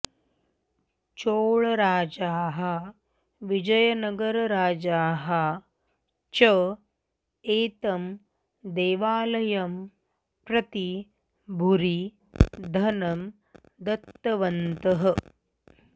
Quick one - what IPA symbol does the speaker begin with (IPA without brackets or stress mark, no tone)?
t͡ʃ